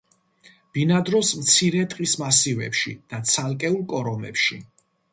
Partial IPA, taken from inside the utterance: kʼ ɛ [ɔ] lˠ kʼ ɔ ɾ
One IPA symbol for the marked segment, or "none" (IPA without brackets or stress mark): u